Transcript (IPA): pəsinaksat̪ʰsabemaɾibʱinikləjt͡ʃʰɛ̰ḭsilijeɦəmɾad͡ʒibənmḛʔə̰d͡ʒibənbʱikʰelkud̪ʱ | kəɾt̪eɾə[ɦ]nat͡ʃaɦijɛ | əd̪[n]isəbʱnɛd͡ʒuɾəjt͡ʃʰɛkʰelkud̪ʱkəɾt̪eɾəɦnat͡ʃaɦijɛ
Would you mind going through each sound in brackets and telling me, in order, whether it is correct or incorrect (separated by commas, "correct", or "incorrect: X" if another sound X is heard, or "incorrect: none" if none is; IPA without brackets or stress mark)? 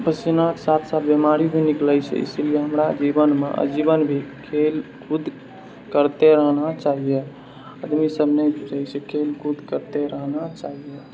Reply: correct, incorrect: m